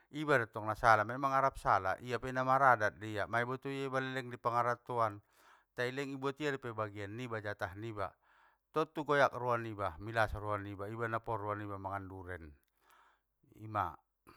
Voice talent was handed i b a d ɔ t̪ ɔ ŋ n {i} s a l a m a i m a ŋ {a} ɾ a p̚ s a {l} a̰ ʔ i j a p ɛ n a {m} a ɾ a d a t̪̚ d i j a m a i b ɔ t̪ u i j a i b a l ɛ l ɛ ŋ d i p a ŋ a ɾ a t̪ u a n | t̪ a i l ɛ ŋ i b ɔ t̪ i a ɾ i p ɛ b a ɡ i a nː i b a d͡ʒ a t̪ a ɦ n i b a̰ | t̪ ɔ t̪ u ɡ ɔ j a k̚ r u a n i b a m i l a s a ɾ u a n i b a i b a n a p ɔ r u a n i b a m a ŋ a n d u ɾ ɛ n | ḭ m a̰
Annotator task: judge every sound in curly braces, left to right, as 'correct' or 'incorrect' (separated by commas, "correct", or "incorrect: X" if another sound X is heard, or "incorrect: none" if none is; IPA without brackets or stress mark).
incorrect: a, correct, correct, correct